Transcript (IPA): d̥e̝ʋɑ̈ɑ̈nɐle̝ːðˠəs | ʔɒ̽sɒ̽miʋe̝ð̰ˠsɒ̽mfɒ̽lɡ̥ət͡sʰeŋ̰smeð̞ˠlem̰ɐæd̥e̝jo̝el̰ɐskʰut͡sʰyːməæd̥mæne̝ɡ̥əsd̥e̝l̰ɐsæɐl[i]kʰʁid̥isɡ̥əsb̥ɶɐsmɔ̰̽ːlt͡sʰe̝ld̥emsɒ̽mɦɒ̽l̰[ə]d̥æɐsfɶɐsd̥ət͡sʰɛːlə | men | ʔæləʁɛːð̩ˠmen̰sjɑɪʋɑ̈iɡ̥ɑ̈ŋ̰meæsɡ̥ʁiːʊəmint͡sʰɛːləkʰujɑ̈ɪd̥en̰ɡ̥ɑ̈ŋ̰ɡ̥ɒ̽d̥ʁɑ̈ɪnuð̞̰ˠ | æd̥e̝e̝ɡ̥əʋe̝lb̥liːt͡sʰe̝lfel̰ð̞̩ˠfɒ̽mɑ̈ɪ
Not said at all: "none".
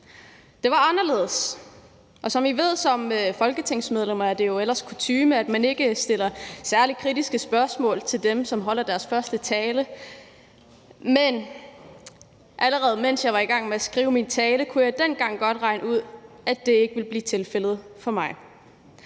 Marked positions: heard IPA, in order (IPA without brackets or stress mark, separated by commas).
i, ɐ